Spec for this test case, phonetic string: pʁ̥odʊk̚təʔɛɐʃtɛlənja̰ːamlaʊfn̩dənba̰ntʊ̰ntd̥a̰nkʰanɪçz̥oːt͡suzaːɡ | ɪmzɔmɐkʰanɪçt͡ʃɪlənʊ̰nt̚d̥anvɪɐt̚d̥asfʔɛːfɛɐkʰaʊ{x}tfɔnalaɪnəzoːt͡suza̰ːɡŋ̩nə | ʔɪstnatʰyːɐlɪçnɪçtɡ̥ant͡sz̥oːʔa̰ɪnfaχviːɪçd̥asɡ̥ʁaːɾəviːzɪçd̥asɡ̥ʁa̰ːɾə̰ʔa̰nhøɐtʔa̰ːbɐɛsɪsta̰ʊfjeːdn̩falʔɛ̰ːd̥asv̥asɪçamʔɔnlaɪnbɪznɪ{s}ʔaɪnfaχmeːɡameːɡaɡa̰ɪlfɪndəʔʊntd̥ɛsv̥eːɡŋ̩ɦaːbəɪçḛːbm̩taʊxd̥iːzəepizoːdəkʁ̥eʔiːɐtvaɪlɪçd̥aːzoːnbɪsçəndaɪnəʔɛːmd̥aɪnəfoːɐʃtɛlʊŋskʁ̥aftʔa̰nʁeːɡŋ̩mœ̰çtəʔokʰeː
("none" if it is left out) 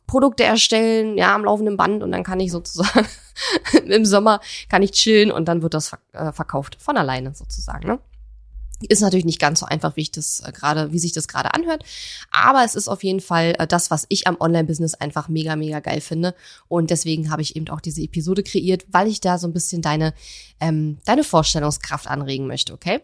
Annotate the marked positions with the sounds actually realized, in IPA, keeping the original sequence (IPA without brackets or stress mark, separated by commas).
f, s